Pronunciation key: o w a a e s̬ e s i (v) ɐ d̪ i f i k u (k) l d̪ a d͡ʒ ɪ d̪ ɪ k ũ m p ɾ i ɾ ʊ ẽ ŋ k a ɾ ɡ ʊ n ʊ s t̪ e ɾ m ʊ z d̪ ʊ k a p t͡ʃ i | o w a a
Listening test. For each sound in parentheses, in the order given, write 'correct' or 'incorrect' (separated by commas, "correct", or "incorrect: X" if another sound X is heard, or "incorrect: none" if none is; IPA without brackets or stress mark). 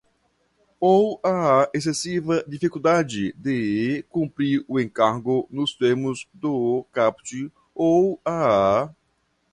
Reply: correct, incorrect: none